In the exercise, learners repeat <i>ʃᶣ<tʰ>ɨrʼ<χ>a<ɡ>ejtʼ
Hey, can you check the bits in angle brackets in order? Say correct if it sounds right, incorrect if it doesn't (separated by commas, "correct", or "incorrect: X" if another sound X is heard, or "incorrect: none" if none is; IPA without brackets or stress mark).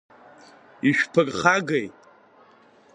correct, incorrect: pʰ, correct, correct